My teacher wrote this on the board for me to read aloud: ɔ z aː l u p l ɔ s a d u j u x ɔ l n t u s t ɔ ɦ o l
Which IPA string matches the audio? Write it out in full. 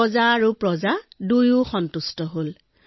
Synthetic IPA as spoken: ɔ z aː ɹ u p ɹ ɔ z a d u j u x ɔ n t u s t ɔ ɦ o l